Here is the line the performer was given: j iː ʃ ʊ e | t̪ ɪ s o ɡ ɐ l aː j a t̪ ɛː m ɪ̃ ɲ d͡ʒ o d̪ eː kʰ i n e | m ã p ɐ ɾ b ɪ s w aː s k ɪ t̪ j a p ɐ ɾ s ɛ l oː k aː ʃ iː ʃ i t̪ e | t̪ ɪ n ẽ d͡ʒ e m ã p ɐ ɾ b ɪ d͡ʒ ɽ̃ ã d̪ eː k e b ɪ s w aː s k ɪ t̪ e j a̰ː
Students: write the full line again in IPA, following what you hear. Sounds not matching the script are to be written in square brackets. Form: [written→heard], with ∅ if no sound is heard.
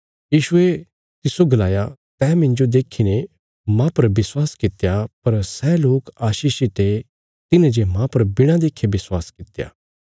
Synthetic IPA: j iː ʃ ʊ e | t̪ ɪ s o ɡ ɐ l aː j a t̪ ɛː m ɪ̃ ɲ d͡ʒ o d̪ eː kʰ i n e | m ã p ɐ ɾ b ɪ s w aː s k ɪ t̪ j a p ɐ ɾ s ɛ l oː k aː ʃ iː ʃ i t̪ e | t̪ ɪ n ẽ d͡ʒ e m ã p ɐ ɾ b ɪ [d͡ʒ→∅] ɽ̃ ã d̪ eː [k→kʰ] e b ɪ s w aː s k ɪ t̪ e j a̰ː